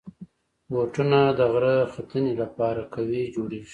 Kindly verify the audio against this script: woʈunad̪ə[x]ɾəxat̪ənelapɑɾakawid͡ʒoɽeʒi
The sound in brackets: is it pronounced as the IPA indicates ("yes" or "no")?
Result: no